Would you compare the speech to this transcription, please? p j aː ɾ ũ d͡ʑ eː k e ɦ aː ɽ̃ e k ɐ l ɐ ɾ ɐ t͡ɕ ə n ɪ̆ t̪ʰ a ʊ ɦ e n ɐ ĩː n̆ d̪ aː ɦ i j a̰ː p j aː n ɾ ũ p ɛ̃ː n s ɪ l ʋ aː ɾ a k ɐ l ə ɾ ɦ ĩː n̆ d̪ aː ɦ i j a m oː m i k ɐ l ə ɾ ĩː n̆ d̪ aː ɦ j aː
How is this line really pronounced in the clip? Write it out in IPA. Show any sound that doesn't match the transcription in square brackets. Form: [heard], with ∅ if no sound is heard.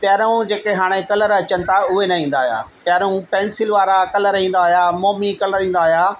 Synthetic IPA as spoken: p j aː ɾ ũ d͡ʑ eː k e ɦ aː ɽ̃ e k ɐ l [ə] ɾ ɐ t͡ɕ ə n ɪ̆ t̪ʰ a ʊ ɦ e n ɐ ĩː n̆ d̪ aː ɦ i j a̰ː p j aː [∅] ɾ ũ p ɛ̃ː n s ɪ l ʋ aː ɾ a k ɐ l ə ɾ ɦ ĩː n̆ d̪ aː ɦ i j a m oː m i k ɐ l ə ɾ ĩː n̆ d̪ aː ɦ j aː